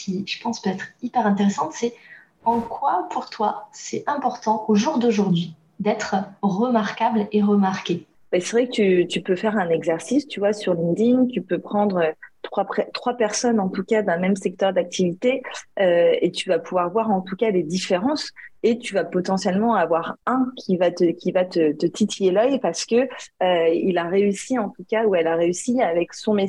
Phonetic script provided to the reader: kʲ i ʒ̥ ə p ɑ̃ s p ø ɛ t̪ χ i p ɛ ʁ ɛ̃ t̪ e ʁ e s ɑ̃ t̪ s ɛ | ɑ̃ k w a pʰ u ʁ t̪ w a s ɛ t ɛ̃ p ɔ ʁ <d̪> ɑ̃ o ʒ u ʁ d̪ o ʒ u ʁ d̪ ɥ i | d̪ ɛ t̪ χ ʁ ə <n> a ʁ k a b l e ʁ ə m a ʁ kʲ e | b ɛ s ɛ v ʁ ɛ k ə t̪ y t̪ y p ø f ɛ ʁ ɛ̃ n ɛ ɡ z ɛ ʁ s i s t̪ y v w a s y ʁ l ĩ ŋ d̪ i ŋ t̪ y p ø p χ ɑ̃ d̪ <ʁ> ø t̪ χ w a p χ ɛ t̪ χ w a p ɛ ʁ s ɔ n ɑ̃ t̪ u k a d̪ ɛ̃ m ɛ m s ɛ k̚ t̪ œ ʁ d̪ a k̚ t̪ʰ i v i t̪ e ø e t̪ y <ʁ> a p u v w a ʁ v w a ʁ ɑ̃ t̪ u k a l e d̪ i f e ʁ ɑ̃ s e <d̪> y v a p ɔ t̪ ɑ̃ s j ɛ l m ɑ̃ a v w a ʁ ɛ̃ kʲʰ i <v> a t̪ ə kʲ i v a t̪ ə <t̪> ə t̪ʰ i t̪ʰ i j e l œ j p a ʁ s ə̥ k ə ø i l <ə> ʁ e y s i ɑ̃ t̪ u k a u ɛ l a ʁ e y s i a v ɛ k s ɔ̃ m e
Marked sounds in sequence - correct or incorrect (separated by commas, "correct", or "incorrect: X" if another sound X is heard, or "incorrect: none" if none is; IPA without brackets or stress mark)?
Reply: incorrect: t̪, incorrect: m, correct, incorrect: v, incorrect: t̪, correct, correct, incorrect: a